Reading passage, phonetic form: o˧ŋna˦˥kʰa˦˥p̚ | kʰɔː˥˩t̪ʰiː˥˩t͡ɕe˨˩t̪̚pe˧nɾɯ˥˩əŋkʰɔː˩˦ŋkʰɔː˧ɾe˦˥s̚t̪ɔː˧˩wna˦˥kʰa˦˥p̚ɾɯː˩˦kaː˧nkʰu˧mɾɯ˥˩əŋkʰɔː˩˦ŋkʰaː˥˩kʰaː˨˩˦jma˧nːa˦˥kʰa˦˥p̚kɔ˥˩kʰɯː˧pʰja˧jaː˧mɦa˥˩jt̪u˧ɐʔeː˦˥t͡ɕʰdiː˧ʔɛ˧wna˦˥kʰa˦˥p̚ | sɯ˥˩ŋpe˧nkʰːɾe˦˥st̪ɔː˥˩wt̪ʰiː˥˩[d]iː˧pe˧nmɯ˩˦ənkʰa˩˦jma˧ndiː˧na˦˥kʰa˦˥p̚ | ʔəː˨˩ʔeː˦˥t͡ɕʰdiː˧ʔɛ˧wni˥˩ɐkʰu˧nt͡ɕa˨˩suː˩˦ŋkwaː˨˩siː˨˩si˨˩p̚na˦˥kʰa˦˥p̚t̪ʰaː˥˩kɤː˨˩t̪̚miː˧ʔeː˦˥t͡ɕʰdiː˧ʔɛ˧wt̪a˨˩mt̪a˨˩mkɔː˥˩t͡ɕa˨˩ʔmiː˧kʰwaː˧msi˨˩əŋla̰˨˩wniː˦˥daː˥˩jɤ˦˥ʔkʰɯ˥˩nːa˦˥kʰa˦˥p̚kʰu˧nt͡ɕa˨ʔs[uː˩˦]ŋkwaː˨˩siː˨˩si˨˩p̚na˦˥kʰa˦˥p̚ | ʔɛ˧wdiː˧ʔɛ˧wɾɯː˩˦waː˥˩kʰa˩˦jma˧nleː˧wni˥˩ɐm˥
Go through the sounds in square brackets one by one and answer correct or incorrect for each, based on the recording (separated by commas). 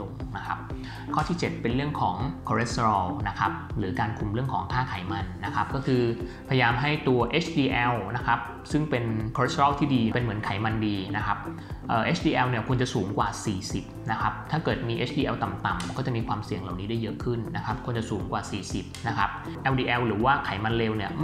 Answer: correct, correct